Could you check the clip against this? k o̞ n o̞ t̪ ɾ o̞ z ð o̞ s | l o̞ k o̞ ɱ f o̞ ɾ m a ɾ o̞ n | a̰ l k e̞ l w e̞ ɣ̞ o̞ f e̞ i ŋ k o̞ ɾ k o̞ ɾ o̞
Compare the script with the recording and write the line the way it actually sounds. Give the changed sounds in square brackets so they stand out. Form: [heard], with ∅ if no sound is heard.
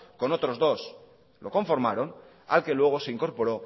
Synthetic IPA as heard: k o̞ n o̞ t̪ ɾ o̞ z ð o̞ s | l o̞ k o̞ ɱ f o̞ ɾ m a ɾ o̞ n | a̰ l k e̞ l w e̞ ɣ̞ o̞ [s] e̞ i ŋ k o̞ ɾ [p] o̞ ɾ o̞

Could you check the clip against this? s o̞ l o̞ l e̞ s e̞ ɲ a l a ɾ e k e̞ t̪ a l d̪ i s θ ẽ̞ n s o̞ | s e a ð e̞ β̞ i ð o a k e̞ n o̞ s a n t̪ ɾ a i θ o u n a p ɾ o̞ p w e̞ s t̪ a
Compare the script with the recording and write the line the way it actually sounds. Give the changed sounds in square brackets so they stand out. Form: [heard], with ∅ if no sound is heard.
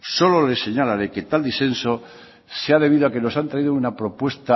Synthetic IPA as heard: s o̞ l o̞ l e̞ s e̞ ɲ a l a ɾ e k e̞ t̪ a l d̪ i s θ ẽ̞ n s o̞ | s e a ð e̞ β̞ i ð o a k e̞ n o̞ s a n t̪ ɾ a i [ð] o u n a p ɾ o̞ p w e̞ s t̪ a

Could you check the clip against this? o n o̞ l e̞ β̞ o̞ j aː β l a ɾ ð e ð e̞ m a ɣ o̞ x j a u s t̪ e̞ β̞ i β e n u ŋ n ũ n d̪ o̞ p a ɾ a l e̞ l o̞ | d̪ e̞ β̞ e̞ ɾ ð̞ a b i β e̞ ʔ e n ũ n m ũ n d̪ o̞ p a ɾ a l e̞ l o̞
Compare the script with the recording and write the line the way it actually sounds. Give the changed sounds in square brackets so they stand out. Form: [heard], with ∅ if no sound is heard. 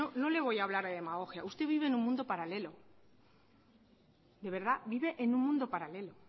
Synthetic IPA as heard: o n o̞ l e̞ β̞ o̞ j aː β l a ɾ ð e ð e̞ m a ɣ o̞ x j a u s t̪ e̞ β̞ i β e n u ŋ [m] ũ n d̪ o̞ p a ɾ a l e̞ l o̞ | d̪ e̞ β̞ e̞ ɾ ð̞ a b i β e̞ ʔ e n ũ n m ũ n d̪ o̞ p a ɾ a l e̞ l o̞

